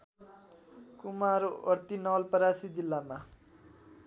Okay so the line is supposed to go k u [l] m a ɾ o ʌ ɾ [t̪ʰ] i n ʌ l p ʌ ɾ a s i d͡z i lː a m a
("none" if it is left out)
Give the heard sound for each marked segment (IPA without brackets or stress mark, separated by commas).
none, t̪